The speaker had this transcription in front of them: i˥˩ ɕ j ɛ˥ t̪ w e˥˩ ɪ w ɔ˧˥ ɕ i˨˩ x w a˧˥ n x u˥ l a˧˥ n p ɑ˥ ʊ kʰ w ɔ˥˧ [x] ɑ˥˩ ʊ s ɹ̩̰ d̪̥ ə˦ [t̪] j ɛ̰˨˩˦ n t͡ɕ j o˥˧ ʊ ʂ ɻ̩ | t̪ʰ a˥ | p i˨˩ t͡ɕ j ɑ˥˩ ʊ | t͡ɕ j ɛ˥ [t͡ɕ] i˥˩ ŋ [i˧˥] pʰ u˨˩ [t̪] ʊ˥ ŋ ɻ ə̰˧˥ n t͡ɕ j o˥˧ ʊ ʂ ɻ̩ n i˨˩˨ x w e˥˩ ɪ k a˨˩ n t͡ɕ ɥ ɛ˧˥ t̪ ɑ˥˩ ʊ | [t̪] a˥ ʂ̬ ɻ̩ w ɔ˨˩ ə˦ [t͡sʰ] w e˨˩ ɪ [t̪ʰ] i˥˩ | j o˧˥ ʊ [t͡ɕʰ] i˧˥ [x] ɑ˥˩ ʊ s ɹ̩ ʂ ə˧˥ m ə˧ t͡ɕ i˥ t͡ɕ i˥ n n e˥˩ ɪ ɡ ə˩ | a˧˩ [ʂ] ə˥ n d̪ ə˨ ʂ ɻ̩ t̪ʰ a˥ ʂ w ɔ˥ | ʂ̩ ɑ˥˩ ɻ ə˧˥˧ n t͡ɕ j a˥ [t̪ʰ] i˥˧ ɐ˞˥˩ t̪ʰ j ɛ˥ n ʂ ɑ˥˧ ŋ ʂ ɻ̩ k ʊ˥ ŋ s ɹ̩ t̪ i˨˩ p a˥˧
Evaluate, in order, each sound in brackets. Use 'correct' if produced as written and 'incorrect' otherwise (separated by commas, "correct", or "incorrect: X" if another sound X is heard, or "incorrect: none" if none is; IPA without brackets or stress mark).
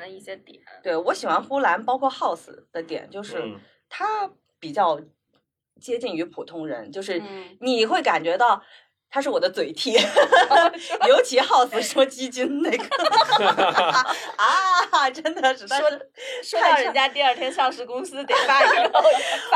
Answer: correct, correct, correct, incorrect: y˧˥, incorrect: t̪ʰ, incorrect: t̪ʰ, incorrect: t͡s, correct, correct, correct, incorrect: ʈ͡ʂ, incorrect: t̪